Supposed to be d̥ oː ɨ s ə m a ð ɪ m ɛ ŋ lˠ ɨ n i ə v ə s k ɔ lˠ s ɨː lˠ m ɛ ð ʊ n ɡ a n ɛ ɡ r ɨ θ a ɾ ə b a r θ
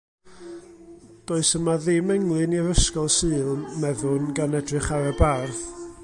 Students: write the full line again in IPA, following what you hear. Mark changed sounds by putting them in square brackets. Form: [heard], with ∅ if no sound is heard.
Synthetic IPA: d̥ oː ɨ s ə m a ð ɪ m ɛ ŋ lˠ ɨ n i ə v ə s k ɔ lˠ s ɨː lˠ m ɛ ð ʊ n ɡ a n ɛ [d] r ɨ [χ] a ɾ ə b a r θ